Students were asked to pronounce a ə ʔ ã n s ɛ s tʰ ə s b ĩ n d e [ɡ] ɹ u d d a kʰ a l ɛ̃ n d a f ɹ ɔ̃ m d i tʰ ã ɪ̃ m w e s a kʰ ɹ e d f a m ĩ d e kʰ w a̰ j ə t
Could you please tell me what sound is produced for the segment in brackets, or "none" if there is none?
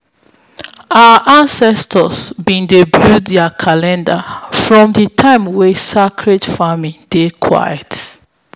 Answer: b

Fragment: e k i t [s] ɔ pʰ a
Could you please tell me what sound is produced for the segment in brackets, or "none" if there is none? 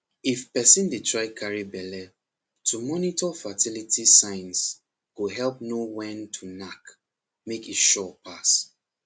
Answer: ʃ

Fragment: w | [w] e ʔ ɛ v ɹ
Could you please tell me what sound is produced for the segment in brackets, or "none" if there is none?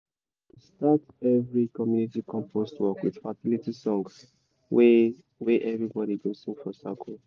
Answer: w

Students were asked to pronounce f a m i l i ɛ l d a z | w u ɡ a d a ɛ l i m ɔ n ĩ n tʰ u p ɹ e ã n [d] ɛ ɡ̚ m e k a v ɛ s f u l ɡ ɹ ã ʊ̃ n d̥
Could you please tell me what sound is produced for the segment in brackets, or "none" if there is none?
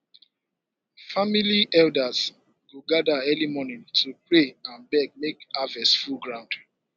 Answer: b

